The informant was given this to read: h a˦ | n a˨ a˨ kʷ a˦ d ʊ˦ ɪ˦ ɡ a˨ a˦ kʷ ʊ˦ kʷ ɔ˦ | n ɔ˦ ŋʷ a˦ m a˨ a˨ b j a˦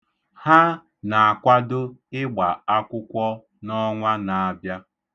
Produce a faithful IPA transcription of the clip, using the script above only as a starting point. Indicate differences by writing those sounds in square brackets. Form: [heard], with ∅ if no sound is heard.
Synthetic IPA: h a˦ | n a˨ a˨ kʷ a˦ d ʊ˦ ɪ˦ [ɡ͡b] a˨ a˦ kʷ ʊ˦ kʷ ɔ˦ | n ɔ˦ ŋʷ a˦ [n] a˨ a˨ b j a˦